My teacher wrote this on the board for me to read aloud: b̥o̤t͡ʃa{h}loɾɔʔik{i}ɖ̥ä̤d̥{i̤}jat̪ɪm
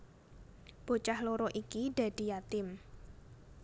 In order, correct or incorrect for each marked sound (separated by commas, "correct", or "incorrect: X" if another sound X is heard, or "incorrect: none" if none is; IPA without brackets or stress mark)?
correct, correct, correct